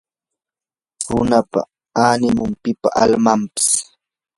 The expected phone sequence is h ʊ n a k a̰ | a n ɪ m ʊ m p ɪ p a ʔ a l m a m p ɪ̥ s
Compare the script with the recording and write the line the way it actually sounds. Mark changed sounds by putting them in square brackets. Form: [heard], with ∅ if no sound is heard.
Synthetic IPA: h ʊ n a [p] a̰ | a n ɪ m ʊ m p ɪ p a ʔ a l m a m p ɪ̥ s